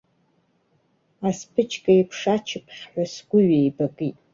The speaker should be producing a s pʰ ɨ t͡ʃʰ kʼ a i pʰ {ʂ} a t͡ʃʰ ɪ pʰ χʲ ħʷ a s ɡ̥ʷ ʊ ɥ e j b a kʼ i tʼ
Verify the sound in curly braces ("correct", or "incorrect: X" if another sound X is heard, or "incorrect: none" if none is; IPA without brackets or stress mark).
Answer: correct